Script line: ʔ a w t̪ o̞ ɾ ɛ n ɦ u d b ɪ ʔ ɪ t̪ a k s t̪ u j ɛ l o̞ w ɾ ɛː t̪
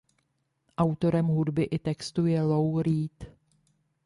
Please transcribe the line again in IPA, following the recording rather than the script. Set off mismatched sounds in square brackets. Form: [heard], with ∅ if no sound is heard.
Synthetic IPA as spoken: ʔ a w t̪ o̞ ɾ ɛ [m] ɦ u d b ɪ ʔ ɪ t̪ [ɛ] k s t̪ u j ɛ l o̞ w ɾ [iː] t̪

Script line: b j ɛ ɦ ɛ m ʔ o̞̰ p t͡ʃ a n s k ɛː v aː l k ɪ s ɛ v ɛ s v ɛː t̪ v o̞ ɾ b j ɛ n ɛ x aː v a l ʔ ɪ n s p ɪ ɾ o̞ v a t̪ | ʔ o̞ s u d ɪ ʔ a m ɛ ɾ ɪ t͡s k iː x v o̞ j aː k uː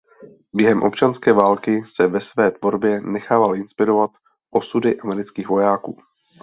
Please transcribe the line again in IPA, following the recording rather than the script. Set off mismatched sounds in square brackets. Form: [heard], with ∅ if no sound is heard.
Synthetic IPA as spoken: b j ɛ ɦ ɛ m ʔ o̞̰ p t͡ʃ a n s k ɛː v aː l k ɪ s ɛ v ɛ s v ɛː t̪ v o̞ ɾ b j ɛ n ɛ x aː v a l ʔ ɪ n s p ɪ ɾ o̞ v a t̪ | ʔ o̞ s u d ɪ ʔ a m ɛ ɾ ɪ t͡s k iː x v o̞ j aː k uː

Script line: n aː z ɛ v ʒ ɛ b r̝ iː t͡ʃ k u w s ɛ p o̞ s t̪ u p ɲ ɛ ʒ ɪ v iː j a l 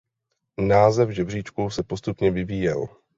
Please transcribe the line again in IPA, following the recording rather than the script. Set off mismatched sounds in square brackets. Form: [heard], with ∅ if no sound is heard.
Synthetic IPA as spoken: n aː z ɛ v ʒ ɛ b r̝ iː t͡ʃ k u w s ɛ p o̞ s t̪ u p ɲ ɛ [v] ɪ v iː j [ɛ] l

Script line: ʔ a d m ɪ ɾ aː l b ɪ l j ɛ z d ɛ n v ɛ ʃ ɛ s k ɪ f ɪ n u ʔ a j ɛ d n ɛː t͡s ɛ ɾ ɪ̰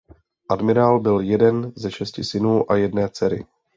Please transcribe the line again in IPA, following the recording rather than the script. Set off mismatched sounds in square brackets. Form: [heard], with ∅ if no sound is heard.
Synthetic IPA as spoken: ʔ a d m ɪ ɾ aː l b ɪ l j ɛ [∅] d ɛ n [z] ɛ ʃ ɛ s [c] ɪ [s] ɪ n [uː] ʔ a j ɛ d n ɛː t͡s ɛ ɾ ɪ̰

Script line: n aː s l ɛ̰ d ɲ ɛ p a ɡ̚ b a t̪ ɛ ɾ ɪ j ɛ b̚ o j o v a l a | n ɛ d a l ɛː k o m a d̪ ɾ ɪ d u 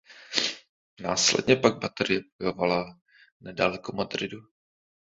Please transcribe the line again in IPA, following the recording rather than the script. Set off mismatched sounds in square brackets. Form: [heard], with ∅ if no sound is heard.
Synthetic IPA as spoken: n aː s l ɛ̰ d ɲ ɛ p a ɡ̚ b a t̪ ɛ ɾ ɪ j ɛ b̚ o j o v a l a | n ɛ d a l [ɛ] k o m a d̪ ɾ ɪ d u

